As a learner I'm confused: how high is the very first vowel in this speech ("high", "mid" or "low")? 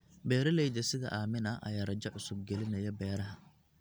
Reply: mid